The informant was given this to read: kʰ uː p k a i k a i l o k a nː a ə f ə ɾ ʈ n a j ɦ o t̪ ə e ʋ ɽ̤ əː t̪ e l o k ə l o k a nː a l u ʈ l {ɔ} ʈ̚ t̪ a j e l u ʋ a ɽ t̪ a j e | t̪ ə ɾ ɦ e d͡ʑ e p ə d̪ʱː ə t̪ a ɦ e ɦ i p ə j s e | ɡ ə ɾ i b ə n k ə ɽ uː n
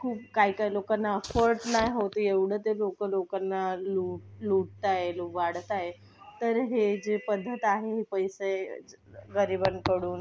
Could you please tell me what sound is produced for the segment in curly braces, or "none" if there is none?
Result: u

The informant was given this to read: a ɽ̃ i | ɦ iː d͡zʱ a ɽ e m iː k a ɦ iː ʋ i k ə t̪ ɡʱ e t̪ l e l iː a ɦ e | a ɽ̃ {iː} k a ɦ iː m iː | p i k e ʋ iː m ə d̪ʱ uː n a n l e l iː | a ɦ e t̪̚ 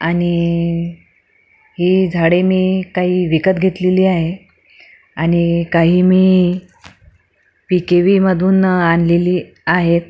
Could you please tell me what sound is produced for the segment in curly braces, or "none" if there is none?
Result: i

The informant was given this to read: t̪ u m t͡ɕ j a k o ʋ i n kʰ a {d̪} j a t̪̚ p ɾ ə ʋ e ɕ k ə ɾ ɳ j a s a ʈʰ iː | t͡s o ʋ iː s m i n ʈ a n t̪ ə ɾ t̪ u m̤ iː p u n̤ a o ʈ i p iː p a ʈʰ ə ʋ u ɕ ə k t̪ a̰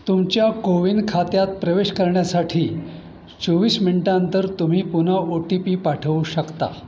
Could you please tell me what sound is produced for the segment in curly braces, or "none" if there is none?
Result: t̪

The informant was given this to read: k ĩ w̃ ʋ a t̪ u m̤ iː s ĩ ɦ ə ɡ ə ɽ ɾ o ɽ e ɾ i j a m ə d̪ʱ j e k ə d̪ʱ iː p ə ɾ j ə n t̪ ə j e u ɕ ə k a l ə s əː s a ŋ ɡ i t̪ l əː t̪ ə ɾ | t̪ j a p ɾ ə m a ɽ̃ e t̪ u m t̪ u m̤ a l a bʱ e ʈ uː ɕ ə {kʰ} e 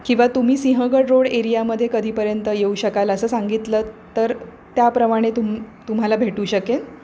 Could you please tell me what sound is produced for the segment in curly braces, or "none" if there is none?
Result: k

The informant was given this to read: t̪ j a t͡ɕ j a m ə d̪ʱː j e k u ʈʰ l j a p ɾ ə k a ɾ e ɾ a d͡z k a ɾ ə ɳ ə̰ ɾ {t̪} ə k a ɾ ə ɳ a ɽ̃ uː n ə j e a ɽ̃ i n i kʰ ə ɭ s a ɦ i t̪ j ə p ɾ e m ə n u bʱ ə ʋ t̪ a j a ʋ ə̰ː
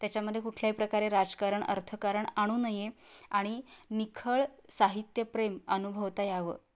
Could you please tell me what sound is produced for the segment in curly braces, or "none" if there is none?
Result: t̪ʰ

